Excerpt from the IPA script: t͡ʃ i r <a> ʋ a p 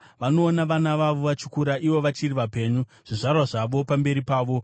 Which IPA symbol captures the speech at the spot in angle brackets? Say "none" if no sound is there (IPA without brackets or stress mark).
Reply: i